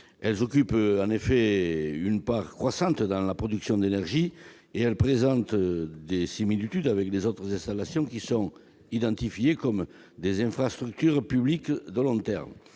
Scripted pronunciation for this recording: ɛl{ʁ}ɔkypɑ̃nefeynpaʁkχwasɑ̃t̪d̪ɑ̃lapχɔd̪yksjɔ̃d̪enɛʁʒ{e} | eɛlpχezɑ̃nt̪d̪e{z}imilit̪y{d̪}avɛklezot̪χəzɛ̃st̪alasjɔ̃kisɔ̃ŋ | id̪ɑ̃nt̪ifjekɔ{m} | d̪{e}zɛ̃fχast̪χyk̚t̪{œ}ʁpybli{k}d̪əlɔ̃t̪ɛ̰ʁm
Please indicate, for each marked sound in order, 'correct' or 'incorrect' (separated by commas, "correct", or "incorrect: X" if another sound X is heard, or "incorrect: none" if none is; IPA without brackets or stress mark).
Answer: incorrect: z, incorrect: i, incorrect: s, correct, correct, correct, incorrect: y, correct